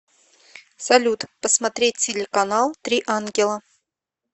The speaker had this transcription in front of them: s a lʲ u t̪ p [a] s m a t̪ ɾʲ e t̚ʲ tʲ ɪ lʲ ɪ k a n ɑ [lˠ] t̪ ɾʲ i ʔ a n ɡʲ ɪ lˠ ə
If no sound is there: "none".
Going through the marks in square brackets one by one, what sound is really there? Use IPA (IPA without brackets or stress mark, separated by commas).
ə, lˠ